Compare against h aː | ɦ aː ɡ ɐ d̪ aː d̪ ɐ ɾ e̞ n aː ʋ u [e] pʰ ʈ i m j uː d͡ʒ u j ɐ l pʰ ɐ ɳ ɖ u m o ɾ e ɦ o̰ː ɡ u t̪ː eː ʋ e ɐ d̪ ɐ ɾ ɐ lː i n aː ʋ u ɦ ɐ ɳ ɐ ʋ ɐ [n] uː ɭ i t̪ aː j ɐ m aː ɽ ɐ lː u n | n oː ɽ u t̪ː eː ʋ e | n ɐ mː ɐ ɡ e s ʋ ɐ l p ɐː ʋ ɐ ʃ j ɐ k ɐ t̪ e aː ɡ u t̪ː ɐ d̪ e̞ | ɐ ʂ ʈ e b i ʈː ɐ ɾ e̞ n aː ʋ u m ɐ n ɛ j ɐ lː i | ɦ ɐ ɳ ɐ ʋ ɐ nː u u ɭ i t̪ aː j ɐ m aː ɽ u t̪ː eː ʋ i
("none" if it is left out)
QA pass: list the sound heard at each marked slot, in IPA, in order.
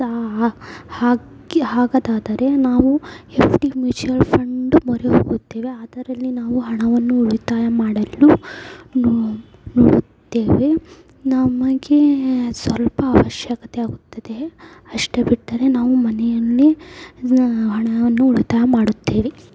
e, nː

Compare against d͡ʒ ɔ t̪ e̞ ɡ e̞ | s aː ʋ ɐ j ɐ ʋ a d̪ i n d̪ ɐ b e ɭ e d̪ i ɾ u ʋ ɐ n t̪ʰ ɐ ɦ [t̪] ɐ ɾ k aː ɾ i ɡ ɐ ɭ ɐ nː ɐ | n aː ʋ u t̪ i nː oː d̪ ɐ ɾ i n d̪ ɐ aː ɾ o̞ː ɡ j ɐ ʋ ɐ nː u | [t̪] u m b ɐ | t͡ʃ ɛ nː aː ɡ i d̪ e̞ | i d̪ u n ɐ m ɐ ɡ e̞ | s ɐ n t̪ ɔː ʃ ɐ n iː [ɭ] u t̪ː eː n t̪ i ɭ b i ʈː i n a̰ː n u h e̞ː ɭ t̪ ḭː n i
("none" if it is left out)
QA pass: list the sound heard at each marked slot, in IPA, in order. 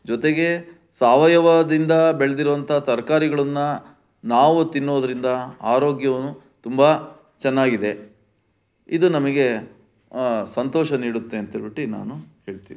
t̪, t̪, ɽ

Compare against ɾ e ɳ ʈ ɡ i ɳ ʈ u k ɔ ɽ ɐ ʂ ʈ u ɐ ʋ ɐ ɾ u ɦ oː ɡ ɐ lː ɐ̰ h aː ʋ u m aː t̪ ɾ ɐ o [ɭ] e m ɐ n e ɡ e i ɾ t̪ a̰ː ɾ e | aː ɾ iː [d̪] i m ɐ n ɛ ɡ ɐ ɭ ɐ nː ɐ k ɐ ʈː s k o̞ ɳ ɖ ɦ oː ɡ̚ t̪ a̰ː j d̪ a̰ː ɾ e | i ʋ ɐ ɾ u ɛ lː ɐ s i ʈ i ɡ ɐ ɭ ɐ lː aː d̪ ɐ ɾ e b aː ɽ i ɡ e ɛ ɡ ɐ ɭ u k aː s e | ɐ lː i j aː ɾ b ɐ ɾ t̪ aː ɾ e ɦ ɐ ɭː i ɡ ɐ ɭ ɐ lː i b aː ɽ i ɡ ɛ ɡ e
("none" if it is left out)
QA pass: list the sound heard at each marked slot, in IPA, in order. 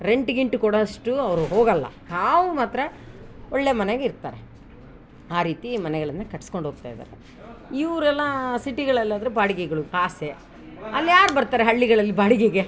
ɭː, t̪

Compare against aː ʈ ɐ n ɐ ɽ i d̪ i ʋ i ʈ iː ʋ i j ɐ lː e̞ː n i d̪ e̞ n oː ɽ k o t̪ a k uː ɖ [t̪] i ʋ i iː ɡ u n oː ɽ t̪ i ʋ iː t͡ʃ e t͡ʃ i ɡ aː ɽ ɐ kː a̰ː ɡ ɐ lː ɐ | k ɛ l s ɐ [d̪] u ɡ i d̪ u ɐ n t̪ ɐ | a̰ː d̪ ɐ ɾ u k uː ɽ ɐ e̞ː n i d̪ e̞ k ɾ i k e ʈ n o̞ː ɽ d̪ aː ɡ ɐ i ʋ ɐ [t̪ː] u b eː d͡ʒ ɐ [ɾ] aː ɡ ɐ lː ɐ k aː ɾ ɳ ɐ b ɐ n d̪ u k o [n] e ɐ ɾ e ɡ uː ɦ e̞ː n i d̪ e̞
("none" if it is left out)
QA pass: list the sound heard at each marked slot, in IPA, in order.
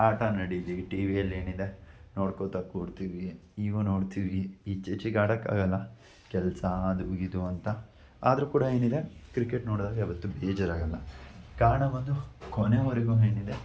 t̪, d̪, t̪ː, ɾ, n

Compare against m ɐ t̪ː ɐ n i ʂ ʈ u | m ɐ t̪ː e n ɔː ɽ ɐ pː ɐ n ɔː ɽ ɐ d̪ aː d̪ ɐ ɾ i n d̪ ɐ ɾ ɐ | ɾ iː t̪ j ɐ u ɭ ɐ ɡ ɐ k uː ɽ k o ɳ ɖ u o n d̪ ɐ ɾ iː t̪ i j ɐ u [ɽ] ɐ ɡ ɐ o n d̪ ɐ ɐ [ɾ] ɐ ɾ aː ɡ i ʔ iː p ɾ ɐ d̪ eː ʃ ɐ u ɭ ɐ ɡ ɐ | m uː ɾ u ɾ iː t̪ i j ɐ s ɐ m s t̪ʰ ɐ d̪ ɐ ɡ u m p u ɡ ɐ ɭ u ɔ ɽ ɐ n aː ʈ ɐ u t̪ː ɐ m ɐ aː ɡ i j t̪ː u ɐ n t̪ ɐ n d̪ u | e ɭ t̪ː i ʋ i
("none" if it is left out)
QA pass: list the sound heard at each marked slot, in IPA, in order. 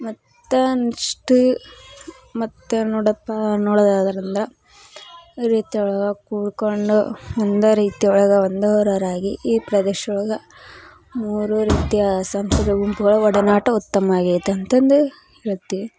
ɭ, ɾ

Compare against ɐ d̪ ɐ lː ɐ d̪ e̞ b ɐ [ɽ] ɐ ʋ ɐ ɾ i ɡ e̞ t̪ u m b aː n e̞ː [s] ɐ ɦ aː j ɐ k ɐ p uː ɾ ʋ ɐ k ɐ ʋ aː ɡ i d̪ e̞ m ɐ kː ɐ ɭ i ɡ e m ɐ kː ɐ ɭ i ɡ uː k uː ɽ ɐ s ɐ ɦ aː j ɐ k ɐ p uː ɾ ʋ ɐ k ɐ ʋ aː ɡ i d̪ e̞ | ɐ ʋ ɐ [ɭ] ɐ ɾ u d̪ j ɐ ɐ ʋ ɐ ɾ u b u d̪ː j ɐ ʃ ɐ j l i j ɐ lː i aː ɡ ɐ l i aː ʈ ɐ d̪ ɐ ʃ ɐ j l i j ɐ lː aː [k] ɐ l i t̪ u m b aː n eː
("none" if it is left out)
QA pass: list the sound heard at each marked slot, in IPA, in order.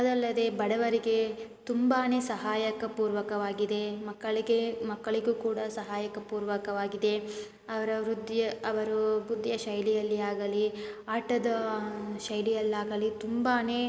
ɽ, s, ɾ, ɡ

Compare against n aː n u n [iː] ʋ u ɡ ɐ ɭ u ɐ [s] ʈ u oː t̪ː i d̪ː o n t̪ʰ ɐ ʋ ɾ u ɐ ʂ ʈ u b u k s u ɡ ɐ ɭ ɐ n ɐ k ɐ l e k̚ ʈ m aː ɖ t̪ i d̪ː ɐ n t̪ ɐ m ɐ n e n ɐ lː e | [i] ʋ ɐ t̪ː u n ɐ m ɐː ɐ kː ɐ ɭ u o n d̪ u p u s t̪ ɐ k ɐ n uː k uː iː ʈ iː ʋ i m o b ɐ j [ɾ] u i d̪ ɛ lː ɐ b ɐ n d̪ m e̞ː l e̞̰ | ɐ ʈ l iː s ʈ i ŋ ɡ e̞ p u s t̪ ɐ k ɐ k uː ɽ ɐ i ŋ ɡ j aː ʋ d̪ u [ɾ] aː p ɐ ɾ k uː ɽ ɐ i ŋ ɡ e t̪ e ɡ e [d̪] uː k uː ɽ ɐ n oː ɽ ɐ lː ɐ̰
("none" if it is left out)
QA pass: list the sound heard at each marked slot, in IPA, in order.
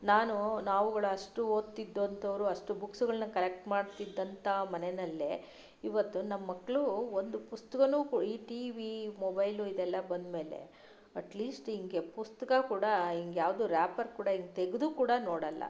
aː, ʂ, i, l, ɾ, d̪

